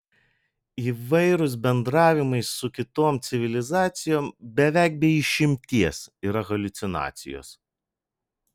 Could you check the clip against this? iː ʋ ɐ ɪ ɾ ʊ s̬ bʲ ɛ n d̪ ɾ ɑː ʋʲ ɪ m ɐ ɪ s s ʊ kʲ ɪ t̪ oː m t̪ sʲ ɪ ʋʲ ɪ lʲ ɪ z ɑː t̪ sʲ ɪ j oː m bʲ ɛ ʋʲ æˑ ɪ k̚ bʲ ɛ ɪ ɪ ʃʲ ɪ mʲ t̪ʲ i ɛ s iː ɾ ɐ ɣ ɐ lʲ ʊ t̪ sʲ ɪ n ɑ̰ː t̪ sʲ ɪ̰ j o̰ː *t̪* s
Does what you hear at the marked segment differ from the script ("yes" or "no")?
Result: yes